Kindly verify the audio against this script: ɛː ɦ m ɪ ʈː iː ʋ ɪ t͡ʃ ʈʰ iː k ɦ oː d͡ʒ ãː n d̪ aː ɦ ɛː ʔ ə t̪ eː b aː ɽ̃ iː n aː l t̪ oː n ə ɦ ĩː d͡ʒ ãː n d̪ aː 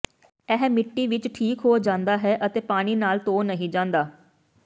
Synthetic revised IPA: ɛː ɦ m ɪ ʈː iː ʋ ɪ t͡ʃ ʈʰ iː k ɦ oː d͡ʒ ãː n d̪ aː ɦ ɛː ʔ ə t̪ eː p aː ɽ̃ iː n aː l t̪ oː n ə ɦ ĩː d͡ʒ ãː n d̪ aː